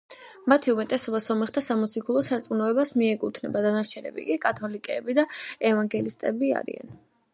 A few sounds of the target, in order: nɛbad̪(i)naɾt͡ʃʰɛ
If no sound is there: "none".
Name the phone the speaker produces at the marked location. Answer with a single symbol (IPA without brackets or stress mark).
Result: a